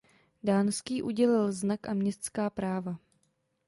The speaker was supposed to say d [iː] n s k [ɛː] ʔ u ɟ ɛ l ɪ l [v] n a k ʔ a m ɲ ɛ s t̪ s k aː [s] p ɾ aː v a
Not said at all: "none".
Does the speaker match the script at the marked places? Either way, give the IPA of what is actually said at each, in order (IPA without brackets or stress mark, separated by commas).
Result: aː, iː, z, none